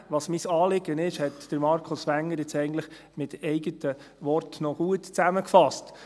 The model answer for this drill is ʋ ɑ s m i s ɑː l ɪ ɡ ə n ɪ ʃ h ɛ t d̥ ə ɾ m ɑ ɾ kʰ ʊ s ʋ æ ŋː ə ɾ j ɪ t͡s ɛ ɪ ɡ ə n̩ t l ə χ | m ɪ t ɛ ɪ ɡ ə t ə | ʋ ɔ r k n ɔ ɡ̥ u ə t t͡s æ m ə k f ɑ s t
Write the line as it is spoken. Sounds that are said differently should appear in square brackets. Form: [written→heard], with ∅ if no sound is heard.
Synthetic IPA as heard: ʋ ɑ s m i s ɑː l ɪ ɡ ə n ɪ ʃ h ɛ t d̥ ə ɾ m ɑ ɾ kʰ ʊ s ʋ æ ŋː ə ɾ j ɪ t͡s ɛ ɪ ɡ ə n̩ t l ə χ | m ɪ t ɛ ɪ ɡ ə t ə | ʋ ɔ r [k→t] n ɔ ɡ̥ u ə t t͡s æ m ə k f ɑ s t